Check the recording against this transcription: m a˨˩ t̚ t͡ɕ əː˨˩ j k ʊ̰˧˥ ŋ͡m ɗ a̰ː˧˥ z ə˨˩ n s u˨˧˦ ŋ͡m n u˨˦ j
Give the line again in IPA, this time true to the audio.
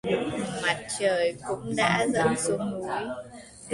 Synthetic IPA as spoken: m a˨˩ t̚ t͡ɕ əː˨˩ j k ʊ̰˧˥ ŋ͡m ɗ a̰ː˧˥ z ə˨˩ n s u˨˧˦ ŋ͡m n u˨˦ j